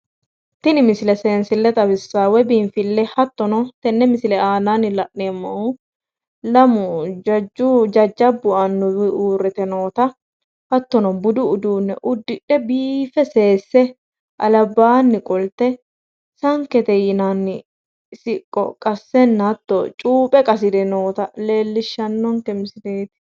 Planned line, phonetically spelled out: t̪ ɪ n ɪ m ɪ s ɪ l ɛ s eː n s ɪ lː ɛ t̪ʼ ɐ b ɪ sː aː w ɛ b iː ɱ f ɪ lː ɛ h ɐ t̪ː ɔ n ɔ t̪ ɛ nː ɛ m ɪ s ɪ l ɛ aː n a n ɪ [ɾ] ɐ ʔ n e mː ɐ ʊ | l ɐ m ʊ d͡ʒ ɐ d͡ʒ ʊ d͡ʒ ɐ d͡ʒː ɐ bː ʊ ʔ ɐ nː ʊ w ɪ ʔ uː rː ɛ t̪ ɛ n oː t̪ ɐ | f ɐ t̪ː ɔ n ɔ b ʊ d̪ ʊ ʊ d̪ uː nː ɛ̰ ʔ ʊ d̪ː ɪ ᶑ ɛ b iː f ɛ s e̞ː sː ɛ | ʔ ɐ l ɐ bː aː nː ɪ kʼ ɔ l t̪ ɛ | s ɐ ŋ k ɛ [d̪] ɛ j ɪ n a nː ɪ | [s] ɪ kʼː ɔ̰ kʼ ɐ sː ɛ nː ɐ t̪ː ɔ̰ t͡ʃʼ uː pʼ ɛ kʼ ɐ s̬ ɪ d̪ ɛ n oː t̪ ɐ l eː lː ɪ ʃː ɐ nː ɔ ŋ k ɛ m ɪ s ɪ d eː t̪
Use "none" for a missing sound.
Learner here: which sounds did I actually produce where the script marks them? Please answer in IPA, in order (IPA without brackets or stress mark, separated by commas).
l, t̪, s